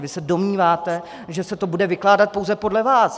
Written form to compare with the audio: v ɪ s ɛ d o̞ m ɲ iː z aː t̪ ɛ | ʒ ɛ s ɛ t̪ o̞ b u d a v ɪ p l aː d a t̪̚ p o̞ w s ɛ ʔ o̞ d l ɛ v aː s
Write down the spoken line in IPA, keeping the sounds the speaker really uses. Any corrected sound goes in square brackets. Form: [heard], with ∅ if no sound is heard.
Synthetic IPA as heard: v ɪ s ɛ d o̞ m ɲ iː [v] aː t̪ ɛ | ʒ ɛ s ɛ t̪ o̞ b u d [ɛ] v ɪ [k] l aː d a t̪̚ p o̞ w [z] ɛ [p] o̞ d l ɛ v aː s

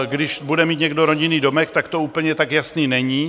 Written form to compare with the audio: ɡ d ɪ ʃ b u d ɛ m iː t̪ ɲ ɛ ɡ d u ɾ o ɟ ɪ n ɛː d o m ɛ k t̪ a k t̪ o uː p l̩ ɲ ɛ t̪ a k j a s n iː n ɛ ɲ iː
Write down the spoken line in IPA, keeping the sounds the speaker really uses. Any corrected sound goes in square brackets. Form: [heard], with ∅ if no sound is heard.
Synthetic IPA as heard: ɡ d ɪ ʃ b u d ɛ m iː t̪ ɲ ɛ ɡ d [o] ɾ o ɟ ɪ n [iː] d o m ɛ k t̪ a k t̪ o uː p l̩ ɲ ɛ t̪ a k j a s n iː n ɛ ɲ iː

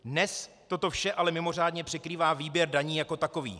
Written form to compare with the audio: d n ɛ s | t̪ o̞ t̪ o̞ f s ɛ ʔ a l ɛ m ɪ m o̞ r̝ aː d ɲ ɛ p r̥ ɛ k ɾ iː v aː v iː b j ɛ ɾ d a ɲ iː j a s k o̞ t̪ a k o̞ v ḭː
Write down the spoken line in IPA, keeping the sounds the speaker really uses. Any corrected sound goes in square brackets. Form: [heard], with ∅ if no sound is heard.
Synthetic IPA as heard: d n ɛ s | t̪ o̞ t̪ o̞ f [ʃ] ɛ ʔ a l ɛ m ɪ m o̞ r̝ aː d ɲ ɛ p r̥ ɛ k ɾ iː v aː v iː b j ɛ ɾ d a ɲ iː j a [∅] k o̞ t̪ a k o̞ v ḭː

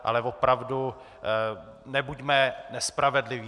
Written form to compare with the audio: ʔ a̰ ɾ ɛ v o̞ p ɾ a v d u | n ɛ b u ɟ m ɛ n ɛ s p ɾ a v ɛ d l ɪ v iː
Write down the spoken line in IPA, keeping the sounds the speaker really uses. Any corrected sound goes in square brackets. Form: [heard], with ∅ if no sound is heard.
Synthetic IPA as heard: ʔ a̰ [l] ɛ v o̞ p ɾ a v d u | n ɛ b u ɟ m ɛ n ɛ s p ɾ a v ɛ d l ɪ v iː

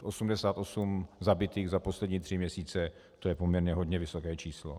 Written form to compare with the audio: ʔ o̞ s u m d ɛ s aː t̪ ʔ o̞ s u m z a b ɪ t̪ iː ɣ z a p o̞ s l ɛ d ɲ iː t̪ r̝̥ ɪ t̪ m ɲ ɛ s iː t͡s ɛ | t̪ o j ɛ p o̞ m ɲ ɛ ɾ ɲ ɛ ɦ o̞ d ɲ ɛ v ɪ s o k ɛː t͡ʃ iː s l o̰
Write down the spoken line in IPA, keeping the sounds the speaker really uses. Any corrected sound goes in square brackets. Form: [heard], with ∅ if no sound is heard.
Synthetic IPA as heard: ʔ o̞ s u m d ɛ s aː t̪ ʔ o̞ s u m z a b ɪ t̪ iː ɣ z a p o̞ s l ɛ d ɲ iː t̪ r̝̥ ɪ [∅] m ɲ ɛ s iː t͡s ɛ | t̪ o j ɛ p o̞ m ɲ ɛ ɾ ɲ ɛ ɦ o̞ d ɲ ɛ v ɪ s o k ɛː t͡ʃ iː s l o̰

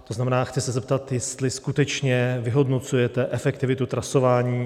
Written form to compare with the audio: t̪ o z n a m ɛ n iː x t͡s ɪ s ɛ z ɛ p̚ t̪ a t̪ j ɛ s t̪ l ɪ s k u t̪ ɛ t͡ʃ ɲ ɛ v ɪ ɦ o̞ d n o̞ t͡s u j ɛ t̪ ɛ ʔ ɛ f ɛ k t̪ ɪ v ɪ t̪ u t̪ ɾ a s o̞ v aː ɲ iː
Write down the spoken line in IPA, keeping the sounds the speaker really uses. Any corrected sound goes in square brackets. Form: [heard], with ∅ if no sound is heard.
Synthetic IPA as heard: t̪ o z n a m ɛ n [aː] x t͡s ɪ s ɛ z ɛ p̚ t̪ a t̪ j ɛ s t̪ l ɪ s k u t̪ ɛ t͡ʃ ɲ ɛ v ɪ ɦ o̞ d n o̞ t͡s u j ɛ t̪ ɛ ʔ ɛ f ɛ k t̪ ɪ v ɪ t̪ u t̪ ɾ a s o̞ v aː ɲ iː

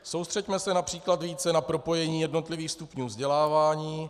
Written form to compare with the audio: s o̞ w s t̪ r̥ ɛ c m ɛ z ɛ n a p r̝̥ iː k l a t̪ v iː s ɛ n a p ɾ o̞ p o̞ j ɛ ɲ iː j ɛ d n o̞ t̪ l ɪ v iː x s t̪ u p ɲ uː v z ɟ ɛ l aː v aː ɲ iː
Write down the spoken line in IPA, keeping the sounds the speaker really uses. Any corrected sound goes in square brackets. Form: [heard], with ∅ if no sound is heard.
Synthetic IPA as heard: s o̞ w s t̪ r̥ ɛ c m ɛ [s] ɛ n a p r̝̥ iː k l a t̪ v iː [t͡s] ɛ n a p ɾ o̞ p o̞ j ɛ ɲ iː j ɛ d n o̞ t̪ l ɪ v iː x s t̪ u p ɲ uː v z ɟ ɛ l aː v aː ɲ iː

